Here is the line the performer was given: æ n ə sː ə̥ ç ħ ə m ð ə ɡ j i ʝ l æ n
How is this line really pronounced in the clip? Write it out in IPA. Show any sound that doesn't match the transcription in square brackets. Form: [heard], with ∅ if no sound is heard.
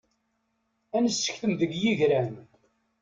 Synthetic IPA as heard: æ n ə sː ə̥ ç [θ] ə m ð ə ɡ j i ʝ [ɾ] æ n